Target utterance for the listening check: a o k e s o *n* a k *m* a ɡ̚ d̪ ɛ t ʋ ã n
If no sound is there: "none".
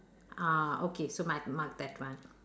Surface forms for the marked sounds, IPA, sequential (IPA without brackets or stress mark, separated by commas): m, m